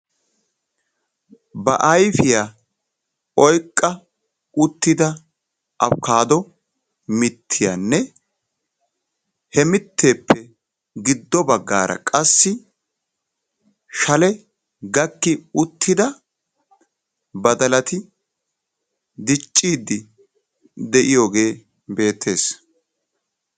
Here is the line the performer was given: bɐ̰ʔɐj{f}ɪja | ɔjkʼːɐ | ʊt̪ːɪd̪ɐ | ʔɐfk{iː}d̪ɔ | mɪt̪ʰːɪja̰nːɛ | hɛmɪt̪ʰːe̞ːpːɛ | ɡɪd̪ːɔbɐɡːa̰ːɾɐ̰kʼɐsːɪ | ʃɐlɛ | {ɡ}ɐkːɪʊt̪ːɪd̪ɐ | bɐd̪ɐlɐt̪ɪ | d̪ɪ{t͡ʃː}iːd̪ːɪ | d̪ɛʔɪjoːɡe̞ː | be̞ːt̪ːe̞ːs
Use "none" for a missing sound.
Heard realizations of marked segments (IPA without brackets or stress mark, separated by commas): f, aː, ɡ, t͡ʃʼː